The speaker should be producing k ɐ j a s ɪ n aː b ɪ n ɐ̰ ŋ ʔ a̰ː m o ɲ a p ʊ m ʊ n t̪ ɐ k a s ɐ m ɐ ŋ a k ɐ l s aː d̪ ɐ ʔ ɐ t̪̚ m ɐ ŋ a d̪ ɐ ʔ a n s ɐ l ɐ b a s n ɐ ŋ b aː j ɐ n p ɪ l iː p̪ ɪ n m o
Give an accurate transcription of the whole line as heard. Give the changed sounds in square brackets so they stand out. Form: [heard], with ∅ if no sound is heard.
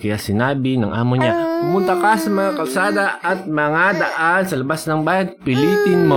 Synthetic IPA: k ɐ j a s ɪ n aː b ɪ n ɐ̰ ŋ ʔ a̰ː m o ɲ a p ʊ m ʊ n t̪ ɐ k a s ɐ m ɐ ŋ a k ɐ l s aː d̪ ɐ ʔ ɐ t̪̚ m ɐ ŋ a d̪ ɐ ʔ a n s ɐ l ɐ b a s n ɐ ŋ b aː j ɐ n p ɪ l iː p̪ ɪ n m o